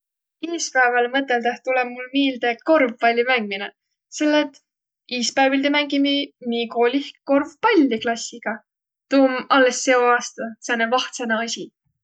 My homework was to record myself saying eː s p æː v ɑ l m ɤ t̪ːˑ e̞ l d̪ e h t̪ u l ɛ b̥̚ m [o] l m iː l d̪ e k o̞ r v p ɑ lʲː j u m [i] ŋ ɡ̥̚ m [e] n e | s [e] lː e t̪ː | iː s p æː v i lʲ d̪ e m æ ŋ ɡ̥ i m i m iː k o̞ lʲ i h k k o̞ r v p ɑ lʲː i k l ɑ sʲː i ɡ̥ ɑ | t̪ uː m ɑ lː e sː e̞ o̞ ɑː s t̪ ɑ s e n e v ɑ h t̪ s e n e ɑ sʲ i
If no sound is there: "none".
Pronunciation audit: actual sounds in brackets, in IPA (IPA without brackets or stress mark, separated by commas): u, æ, i, e